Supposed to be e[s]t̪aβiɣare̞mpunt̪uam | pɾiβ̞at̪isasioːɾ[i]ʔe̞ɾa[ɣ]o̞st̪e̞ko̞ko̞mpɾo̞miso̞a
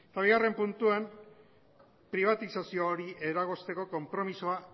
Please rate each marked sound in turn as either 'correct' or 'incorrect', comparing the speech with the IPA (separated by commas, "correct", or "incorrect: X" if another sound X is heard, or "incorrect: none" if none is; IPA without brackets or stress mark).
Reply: incorrect: none, correct, correct